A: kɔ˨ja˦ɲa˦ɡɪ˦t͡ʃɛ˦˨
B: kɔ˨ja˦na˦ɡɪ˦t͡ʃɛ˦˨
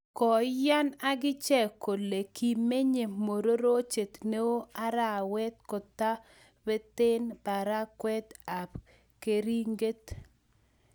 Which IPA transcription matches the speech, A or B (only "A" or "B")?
B